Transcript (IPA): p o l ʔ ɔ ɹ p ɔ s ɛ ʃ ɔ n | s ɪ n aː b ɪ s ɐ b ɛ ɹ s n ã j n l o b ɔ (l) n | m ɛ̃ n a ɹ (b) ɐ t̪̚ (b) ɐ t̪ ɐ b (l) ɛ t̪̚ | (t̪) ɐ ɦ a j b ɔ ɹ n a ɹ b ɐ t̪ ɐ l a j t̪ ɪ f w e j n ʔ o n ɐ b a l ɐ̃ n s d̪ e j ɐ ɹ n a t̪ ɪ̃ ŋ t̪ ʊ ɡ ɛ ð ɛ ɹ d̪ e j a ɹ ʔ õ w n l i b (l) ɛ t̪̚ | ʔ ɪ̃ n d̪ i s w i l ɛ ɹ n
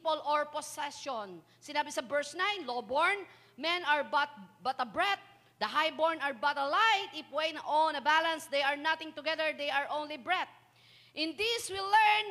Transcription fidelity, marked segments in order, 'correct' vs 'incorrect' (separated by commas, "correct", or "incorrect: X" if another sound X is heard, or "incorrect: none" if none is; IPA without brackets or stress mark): incorrect: ɹ, correct, correct, incorrect: ɹ, incorrect: d̪, incorrect: ɹ